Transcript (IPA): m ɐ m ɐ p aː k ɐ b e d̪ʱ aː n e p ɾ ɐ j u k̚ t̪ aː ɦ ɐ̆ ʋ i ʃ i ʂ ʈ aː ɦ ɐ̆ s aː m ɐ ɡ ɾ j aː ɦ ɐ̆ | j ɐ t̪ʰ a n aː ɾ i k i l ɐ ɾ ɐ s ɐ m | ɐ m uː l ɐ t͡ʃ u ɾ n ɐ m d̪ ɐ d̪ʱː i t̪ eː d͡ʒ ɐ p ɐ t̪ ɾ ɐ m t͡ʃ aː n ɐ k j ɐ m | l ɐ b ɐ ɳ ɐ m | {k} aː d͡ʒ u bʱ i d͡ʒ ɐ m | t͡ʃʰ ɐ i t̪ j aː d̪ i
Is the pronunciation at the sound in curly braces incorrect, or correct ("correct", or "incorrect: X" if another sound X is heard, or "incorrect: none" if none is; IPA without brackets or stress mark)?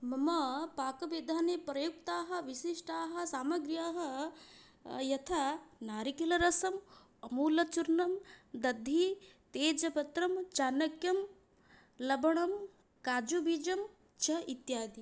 correct